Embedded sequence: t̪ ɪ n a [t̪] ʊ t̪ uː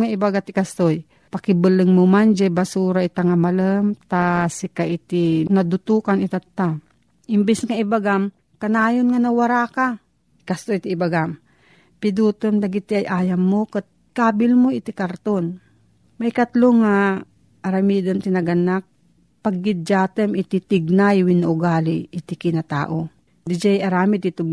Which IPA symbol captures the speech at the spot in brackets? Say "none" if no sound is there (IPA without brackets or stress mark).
d̪